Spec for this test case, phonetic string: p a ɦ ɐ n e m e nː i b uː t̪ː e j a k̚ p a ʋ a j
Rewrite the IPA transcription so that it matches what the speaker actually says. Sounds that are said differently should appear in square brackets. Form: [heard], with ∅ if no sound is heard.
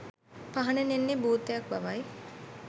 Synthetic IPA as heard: p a ɦ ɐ n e [n] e nː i b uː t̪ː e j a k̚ [b] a ʋ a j